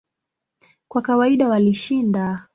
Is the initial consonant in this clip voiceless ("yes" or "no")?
yes